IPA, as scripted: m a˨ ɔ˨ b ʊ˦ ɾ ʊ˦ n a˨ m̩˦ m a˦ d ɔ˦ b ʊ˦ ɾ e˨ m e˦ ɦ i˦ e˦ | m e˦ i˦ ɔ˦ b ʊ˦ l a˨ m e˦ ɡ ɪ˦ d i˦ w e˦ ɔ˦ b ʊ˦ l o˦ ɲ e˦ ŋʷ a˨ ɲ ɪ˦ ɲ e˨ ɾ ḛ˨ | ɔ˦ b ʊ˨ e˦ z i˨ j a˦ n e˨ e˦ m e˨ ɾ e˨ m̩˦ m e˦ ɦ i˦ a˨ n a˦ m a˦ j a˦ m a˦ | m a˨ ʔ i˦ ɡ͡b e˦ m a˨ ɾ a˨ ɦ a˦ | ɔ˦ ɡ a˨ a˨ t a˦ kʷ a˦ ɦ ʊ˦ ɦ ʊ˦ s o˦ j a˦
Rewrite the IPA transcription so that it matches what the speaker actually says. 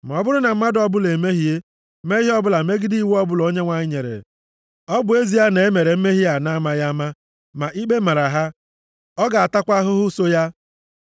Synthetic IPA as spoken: m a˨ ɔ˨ b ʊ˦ ɾ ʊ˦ n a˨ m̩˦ m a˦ d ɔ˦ b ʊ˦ l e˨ m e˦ ɦ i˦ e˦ | m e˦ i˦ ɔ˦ b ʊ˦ l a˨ m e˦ ɡ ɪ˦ d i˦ w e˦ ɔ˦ b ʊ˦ l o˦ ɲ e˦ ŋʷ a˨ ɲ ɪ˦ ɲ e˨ ɾ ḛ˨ | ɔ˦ b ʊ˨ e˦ z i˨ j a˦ n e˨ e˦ m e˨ ɾ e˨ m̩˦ m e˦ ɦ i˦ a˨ n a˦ m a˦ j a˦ m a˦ | m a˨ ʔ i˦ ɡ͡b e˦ m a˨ ɾ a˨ ɦ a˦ | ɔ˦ ɡ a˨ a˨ t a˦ kʷ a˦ ɦ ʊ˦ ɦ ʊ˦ s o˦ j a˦